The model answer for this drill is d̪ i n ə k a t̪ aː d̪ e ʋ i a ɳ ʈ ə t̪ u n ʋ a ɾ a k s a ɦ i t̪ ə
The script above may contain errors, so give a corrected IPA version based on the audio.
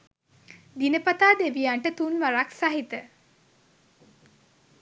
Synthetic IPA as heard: d̪ i n ə p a t̪ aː d̪ e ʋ i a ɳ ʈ ə t̪ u n ʋ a ɾ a k s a ɦ i t̪ ə